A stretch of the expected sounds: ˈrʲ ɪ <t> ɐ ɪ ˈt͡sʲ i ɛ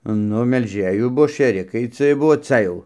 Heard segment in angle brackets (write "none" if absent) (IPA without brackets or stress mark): k